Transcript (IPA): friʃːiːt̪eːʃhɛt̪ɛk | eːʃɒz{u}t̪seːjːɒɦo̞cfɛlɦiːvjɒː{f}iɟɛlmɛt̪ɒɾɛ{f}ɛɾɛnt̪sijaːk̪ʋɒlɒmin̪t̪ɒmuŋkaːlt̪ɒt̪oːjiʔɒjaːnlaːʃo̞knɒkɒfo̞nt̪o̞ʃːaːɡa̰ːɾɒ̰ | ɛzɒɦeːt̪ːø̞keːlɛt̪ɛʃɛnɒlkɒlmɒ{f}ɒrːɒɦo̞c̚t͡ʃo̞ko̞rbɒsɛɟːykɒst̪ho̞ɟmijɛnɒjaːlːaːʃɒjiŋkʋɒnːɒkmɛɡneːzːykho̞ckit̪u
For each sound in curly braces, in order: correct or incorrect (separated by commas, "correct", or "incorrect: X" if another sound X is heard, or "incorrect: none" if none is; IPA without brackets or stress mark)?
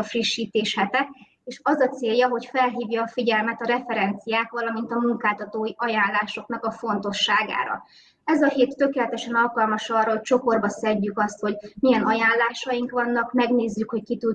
incorrect: ɒ, correct, correct, incorrect: ʃ